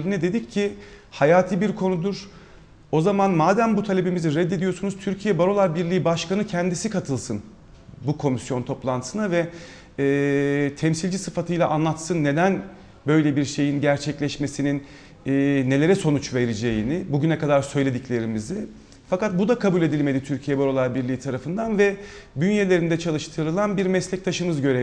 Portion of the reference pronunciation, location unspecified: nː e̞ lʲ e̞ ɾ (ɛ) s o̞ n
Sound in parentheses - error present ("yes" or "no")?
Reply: no